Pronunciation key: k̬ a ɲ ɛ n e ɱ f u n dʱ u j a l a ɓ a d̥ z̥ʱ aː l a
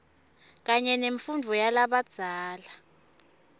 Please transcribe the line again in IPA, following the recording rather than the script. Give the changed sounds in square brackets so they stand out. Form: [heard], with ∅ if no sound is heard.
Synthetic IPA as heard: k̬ a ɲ ɛ n e ɱ f u n dʱ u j a l a ɓ a d̥ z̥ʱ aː l a